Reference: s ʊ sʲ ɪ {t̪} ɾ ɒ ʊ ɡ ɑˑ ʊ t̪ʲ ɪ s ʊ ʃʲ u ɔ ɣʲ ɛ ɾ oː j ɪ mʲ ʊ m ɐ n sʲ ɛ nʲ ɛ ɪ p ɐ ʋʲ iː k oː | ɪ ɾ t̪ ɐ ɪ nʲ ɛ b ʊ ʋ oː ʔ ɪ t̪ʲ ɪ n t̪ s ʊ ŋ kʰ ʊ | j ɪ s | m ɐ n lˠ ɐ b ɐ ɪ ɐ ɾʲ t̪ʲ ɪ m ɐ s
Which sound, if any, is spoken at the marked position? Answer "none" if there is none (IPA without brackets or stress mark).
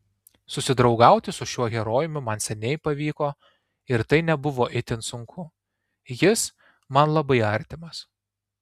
d̪